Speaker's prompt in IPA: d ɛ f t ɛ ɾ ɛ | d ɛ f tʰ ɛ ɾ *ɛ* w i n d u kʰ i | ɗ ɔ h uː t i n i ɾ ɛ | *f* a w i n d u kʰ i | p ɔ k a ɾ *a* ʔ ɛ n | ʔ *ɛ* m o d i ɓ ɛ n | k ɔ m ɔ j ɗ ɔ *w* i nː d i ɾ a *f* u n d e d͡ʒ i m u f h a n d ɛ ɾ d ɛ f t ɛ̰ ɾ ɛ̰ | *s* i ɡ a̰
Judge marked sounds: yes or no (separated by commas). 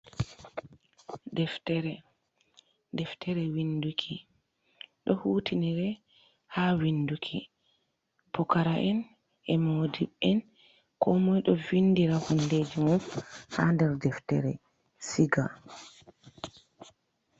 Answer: yes, no, yes, yes, no, no, yes